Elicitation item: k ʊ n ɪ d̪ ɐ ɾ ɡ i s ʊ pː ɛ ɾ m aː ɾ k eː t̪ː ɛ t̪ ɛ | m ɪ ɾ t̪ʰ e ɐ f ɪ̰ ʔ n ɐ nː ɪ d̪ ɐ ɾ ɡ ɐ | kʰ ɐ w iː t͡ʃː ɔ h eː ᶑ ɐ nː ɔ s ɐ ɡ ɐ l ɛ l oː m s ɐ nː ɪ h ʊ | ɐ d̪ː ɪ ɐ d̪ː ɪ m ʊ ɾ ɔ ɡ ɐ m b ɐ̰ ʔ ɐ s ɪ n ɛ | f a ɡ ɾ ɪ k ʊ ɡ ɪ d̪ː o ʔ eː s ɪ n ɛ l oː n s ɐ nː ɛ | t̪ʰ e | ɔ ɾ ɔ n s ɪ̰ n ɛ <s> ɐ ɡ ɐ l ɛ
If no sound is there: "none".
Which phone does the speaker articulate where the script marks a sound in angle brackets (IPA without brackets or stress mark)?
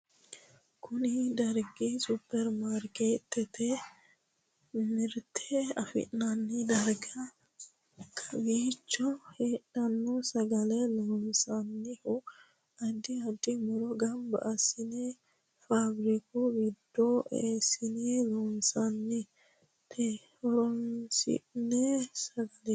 s